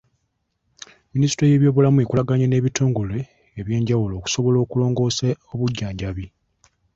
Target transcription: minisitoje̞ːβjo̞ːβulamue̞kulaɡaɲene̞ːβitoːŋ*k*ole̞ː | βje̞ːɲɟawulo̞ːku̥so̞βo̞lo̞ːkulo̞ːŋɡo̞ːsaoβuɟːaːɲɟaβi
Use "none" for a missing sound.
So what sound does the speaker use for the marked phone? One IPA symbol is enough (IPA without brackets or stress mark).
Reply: ɡ